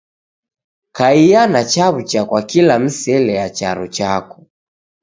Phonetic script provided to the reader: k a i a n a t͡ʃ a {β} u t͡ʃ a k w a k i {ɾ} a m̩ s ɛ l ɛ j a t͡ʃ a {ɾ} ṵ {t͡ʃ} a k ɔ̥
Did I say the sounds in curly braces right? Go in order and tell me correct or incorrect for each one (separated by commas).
correct, incorrect, correct, correct